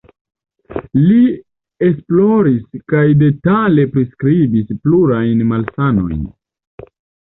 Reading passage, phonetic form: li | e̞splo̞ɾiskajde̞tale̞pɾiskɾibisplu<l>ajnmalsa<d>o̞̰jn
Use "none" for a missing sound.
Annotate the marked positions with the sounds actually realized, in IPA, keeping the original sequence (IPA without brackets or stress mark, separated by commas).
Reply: ɾ, n